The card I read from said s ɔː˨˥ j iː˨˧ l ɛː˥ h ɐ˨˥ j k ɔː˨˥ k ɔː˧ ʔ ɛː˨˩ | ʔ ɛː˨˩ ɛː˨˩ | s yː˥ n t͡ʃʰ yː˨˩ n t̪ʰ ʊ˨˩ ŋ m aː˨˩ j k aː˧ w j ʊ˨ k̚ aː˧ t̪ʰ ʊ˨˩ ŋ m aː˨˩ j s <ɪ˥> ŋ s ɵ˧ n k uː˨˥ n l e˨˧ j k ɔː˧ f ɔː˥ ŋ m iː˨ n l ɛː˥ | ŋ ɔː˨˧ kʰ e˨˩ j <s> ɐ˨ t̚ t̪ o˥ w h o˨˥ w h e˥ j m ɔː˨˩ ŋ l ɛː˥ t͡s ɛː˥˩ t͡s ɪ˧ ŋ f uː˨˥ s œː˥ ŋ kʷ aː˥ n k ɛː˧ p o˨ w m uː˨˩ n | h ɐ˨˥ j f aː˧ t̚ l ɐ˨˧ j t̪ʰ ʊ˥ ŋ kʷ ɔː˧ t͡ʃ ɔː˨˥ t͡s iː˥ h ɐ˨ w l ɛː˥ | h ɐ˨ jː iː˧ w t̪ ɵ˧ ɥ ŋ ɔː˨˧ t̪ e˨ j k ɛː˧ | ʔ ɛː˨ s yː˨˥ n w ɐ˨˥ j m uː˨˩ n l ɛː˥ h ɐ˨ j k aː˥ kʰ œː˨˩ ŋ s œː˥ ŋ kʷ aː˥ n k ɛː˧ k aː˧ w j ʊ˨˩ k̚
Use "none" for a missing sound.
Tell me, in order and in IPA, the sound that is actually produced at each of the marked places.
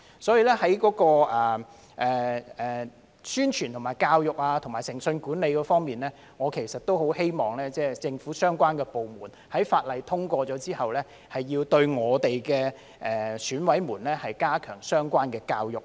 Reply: ɪ˨˩, s

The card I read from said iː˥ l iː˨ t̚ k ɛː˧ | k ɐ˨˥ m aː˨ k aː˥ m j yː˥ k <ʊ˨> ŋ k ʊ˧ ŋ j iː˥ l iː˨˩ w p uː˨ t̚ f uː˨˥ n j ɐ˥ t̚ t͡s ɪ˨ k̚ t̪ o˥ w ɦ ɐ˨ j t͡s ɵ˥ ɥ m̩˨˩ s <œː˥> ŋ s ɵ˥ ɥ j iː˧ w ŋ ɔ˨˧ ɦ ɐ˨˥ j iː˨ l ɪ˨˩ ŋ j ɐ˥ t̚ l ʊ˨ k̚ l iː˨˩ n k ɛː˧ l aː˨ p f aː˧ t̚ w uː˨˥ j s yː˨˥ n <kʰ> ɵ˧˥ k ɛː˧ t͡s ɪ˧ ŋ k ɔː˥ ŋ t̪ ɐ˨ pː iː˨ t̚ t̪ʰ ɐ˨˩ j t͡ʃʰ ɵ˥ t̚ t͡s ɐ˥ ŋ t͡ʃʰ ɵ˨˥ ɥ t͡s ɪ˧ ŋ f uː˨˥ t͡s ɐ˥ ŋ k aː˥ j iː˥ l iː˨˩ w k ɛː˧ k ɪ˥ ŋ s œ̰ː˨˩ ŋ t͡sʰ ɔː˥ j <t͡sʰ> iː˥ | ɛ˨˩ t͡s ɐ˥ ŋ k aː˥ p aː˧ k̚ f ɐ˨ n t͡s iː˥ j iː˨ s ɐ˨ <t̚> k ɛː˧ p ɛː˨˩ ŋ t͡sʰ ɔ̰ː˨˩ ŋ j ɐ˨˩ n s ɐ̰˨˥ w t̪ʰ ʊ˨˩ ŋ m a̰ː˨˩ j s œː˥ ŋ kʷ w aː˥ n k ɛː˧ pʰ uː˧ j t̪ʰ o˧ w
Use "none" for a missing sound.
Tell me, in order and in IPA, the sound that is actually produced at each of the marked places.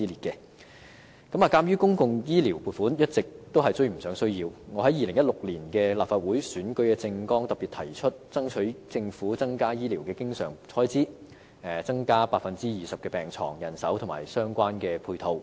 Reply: ʊ˥, œː˨˥, k, t͡s, p̚

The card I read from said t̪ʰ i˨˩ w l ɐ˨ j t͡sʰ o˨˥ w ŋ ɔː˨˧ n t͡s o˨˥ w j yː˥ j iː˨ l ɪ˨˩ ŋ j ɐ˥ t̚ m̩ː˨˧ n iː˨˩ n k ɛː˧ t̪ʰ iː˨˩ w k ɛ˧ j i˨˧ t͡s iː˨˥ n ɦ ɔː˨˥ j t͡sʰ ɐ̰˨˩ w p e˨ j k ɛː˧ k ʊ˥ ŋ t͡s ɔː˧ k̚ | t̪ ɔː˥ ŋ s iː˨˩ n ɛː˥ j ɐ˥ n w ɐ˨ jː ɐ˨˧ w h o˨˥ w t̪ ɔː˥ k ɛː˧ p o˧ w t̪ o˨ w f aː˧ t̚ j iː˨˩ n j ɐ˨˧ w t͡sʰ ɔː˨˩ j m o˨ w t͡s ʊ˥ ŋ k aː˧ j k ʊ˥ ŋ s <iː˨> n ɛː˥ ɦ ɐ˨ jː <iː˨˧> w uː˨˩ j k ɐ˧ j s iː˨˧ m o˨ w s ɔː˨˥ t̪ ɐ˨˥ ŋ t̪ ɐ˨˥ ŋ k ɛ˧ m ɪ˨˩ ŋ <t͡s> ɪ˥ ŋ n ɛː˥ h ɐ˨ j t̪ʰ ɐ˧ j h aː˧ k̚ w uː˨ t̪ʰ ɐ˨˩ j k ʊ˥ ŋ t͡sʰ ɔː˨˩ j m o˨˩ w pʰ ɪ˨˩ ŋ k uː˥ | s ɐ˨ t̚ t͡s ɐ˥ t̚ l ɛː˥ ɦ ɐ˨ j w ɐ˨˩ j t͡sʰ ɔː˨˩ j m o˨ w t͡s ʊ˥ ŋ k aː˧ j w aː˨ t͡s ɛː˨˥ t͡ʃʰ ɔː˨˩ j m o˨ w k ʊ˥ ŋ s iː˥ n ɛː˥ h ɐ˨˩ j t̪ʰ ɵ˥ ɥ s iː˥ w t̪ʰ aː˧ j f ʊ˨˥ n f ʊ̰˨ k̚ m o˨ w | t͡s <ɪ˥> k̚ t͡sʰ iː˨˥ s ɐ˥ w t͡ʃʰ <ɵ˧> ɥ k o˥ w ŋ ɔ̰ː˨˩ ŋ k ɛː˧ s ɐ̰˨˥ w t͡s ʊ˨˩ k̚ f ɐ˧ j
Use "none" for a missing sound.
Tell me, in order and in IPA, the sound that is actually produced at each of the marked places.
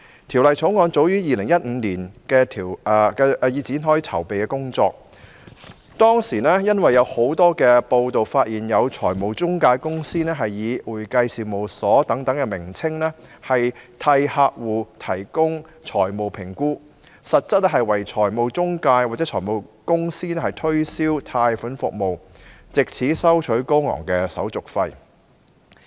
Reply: iː˥, iː˨˧, t͡sʰ, ɪ˨, ɵ˨˥

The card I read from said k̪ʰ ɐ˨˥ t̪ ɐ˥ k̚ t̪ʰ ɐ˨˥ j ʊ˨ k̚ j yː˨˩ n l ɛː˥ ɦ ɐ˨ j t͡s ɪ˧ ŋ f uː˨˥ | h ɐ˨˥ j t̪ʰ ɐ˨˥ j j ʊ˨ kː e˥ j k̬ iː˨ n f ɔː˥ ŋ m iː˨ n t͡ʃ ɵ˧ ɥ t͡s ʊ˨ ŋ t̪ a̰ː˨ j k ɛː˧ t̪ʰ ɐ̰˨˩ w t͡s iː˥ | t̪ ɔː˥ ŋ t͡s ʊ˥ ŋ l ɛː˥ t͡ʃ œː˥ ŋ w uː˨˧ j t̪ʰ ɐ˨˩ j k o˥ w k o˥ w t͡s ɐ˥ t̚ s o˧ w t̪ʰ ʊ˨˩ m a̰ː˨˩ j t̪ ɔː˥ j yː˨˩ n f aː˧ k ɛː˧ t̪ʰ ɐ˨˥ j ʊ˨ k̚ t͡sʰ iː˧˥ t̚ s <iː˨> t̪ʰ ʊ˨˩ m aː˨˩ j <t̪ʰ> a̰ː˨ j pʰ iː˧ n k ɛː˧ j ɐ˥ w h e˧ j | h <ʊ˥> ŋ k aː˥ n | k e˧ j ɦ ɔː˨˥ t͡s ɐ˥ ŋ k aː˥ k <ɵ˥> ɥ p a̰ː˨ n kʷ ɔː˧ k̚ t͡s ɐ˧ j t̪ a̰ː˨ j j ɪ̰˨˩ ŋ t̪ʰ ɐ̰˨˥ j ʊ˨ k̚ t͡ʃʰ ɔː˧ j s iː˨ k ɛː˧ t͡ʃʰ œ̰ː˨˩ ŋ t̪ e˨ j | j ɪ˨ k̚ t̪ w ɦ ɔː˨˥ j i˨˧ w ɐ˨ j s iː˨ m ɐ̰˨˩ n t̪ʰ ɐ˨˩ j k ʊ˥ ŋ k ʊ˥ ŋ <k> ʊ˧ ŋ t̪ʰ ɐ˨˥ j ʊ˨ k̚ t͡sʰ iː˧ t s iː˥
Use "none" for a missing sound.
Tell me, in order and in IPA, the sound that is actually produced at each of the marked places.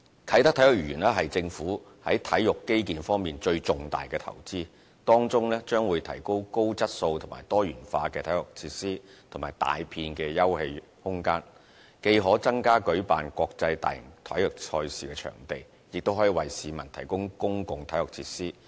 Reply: iː˥, t̪, ʊ˥, ɵ˨˥, k

